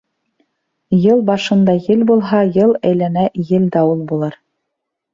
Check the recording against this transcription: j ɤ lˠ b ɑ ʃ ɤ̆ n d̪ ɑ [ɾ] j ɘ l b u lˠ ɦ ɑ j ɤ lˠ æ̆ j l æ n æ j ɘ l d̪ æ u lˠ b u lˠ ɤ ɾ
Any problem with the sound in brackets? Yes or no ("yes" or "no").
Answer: yes